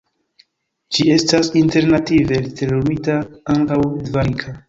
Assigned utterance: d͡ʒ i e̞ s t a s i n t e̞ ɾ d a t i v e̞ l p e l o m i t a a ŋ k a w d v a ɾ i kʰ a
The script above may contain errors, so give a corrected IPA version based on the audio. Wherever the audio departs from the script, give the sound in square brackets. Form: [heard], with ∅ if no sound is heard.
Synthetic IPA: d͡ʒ i e̞ s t a s i n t e̞ ɾ [n] a t i v e̞ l [t] e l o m i t a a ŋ k a w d v a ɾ i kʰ a